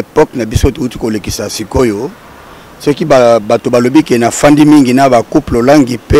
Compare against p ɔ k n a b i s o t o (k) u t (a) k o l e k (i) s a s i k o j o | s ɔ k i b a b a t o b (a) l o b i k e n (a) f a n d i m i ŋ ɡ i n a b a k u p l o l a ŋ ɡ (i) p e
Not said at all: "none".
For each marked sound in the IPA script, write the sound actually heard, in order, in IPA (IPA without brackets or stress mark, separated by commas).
none, i, i, a, a, i